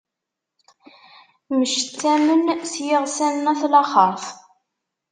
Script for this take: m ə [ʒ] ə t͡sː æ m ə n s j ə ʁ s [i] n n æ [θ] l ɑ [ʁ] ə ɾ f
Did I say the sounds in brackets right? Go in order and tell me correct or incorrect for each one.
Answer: incorrect: ʃ, incorrect: æ, correct, incorrect: χ

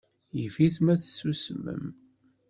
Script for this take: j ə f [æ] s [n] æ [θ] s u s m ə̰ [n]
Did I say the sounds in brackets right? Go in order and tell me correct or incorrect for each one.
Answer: incorrect: i, incorrect: m, correct, incorrect: m

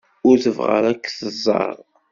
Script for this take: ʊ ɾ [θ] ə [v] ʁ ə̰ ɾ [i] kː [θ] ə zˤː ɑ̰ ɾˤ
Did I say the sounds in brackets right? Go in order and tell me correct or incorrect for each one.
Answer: correct, correct, incorrect: æ, correct

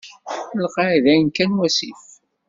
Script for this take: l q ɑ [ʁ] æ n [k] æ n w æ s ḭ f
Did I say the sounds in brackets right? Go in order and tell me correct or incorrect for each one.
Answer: incorrect: ð, correct

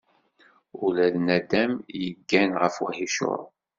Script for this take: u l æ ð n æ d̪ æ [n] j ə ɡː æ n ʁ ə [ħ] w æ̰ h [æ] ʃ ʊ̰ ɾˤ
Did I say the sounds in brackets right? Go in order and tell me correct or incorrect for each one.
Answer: incorrect: m, incorrect: f, incorrect: i

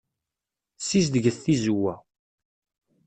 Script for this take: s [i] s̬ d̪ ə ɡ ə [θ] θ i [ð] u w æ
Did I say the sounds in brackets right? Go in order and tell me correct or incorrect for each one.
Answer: correct, correct, incorrect: z

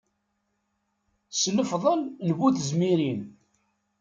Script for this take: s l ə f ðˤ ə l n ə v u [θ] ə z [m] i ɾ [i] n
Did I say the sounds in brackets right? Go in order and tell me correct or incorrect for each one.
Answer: correct, correct, correct

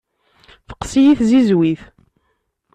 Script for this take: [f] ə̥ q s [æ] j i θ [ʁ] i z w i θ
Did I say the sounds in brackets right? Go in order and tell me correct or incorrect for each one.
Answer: correct, incorrect: i, incorrect: z

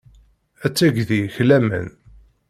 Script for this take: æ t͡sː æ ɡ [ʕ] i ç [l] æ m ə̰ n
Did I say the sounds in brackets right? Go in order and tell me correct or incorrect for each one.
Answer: incorrect: ð, correct

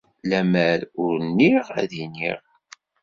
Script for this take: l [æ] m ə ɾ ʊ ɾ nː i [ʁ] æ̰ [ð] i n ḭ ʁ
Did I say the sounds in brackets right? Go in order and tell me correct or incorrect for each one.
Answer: correct, correct, correct

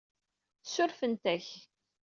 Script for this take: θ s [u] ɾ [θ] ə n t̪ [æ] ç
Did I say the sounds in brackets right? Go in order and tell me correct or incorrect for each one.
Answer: incorrect: ʊ, incorrect: f, correct

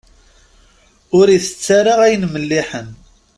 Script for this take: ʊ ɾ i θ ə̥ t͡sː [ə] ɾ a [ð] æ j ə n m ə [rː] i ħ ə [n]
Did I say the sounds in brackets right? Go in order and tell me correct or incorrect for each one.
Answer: incorrect: a, incorrect: ʁ, incorrect: lː, correct

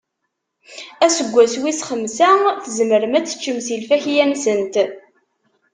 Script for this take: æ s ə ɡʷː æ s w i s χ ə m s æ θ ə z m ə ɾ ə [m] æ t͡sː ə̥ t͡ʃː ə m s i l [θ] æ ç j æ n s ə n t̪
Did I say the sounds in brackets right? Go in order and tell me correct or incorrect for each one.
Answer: correct, incorrect: f

